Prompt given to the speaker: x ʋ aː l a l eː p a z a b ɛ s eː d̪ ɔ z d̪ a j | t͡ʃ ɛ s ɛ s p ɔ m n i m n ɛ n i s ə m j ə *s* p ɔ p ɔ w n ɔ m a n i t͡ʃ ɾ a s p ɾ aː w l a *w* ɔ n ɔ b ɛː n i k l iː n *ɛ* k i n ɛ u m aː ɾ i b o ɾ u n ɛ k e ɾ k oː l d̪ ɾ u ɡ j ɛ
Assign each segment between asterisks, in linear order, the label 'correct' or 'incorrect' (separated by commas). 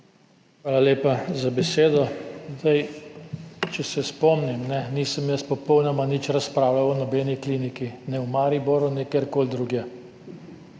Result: correct, correct, incorrect